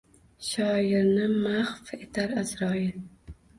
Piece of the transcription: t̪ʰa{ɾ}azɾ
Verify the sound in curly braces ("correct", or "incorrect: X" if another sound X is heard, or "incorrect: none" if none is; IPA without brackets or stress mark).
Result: correct